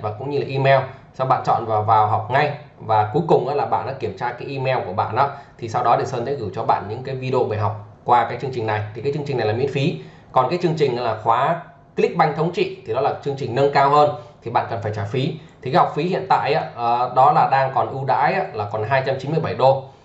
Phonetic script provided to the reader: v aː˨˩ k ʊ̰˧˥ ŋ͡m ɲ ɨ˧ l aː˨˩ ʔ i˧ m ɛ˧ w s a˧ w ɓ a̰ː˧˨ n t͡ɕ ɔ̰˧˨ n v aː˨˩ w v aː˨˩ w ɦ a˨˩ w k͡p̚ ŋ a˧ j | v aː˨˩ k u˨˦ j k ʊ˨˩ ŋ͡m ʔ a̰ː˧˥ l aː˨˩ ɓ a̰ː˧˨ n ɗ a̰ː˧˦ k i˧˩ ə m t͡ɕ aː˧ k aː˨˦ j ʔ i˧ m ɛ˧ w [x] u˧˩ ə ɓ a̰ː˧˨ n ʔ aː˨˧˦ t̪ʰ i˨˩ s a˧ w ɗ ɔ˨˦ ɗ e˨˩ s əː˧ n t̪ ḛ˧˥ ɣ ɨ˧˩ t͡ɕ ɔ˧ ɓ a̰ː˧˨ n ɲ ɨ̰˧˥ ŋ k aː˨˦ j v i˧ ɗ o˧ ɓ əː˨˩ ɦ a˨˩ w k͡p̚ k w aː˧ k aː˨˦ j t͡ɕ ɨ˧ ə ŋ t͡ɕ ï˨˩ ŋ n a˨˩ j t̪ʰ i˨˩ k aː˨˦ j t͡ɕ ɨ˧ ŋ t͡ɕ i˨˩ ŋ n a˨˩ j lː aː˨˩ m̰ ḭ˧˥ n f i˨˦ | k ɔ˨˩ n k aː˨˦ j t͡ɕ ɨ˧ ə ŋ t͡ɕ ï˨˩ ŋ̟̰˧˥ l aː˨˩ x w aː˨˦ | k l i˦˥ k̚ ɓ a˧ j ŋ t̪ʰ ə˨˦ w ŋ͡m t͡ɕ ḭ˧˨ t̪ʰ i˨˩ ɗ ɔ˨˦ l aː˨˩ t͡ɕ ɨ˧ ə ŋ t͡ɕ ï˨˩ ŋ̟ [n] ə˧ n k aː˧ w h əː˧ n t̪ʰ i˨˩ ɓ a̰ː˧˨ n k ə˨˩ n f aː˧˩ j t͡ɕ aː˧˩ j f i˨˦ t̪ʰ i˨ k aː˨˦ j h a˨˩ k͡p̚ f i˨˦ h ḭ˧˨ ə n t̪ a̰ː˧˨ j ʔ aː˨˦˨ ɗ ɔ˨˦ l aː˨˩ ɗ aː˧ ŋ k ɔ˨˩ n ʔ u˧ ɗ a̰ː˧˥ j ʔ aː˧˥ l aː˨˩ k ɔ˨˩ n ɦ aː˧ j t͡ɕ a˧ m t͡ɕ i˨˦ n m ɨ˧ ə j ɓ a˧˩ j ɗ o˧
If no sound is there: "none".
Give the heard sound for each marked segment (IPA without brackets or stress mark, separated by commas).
k, n